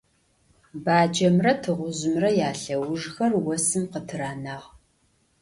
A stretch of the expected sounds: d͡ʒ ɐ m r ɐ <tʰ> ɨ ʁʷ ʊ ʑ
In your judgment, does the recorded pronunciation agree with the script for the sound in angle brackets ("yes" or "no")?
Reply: yes